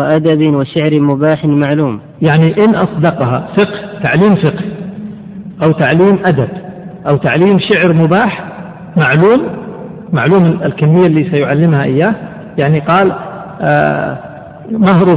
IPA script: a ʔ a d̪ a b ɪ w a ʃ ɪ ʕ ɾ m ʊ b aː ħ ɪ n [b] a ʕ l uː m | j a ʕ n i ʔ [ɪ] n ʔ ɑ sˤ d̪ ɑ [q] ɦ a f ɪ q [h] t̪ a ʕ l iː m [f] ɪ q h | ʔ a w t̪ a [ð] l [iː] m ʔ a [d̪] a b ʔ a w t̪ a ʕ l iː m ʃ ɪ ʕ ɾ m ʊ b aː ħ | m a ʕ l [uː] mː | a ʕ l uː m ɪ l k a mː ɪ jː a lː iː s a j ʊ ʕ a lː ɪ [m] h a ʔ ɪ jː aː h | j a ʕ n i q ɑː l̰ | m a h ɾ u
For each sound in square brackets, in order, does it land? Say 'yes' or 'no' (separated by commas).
no, yes, yes, yes, yes, no, yes, yes, yes, yes